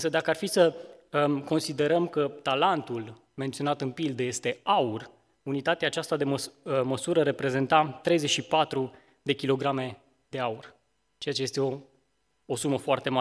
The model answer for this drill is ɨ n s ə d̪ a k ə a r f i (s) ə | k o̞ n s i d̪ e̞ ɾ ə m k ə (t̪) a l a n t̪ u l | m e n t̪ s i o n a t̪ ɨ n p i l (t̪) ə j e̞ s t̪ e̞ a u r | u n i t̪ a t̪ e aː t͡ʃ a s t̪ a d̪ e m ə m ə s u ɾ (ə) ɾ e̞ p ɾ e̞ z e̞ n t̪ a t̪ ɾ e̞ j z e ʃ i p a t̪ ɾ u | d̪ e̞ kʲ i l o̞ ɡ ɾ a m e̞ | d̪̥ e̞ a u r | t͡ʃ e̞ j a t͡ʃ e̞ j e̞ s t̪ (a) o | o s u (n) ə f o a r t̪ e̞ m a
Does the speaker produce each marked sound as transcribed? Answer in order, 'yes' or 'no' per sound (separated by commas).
yes, yes, no, yes, no, no